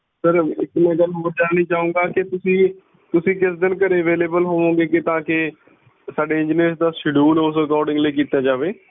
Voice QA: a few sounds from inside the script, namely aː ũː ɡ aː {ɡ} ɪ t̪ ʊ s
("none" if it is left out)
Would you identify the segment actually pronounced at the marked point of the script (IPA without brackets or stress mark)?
k